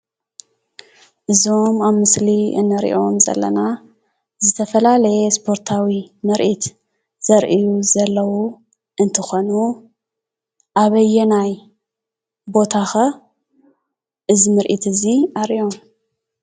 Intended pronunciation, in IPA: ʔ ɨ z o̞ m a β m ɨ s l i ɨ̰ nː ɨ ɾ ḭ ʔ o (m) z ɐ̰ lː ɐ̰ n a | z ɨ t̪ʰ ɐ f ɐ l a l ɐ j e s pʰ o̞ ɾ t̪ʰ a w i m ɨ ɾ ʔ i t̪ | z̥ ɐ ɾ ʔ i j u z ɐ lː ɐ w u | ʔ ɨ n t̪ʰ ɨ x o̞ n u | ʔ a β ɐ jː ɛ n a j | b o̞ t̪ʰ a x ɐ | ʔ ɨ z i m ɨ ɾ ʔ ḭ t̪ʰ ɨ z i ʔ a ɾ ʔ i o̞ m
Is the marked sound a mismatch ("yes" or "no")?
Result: no